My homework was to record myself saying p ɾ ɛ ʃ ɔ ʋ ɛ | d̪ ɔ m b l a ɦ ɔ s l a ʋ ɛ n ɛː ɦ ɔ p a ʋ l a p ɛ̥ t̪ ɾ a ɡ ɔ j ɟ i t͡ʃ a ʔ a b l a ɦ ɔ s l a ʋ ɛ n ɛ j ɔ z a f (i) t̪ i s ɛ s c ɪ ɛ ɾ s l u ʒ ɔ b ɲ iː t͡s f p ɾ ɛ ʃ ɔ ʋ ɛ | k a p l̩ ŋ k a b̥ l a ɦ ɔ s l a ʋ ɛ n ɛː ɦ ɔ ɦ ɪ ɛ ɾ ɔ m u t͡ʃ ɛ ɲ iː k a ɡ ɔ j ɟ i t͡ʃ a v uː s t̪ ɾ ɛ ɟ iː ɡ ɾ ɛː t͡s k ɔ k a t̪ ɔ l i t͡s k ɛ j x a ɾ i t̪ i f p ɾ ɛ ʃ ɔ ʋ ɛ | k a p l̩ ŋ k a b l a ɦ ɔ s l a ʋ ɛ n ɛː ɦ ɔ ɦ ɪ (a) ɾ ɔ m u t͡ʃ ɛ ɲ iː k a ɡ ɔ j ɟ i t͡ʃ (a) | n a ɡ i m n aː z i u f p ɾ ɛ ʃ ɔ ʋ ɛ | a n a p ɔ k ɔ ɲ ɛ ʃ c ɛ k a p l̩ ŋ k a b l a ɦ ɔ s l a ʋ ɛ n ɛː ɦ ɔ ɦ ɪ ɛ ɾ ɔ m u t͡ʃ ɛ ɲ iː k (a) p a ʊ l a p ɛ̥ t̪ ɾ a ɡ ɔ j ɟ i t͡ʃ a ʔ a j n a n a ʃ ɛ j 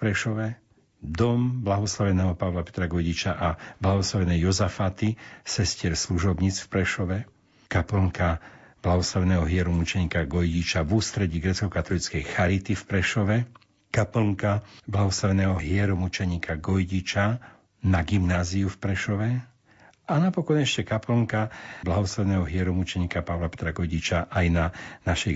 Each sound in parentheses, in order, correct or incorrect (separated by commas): incorrect, incorrect, correct, correct